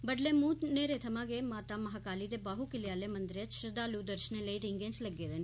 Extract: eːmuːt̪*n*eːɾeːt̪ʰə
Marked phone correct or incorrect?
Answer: correct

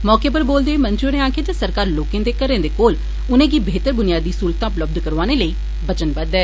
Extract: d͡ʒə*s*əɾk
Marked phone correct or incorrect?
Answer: correct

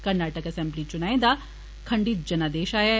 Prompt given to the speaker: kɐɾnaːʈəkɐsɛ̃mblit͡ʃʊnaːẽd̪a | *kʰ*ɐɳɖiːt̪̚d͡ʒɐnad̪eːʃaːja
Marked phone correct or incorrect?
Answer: correct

